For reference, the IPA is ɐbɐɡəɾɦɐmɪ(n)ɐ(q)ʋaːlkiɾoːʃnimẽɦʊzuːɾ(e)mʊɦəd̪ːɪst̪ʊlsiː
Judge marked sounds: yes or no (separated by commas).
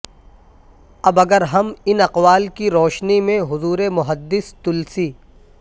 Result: yes, yes, yes